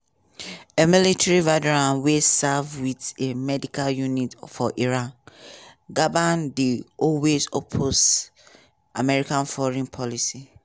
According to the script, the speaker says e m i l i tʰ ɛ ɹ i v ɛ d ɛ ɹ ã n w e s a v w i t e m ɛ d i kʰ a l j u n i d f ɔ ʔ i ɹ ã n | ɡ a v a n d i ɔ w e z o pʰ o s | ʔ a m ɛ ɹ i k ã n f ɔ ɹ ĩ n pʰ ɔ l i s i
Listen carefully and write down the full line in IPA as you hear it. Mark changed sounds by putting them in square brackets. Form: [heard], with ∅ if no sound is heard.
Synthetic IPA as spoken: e m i l i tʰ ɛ ɹ i v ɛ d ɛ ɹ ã n w e s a v w i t e m ɛ d i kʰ a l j u n i [t] f ɔ ʔ i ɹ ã n | ɡ a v a n d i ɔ w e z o pʰ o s | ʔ a m ɛ ɹ i k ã n f ɔ ɹ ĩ n pʰ ɔ l i s i